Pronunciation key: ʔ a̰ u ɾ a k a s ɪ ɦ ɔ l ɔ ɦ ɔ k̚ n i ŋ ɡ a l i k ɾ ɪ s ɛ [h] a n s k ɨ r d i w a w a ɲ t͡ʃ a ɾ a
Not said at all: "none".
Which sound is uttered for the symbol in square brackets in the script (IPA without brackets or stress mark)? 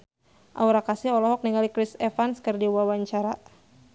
f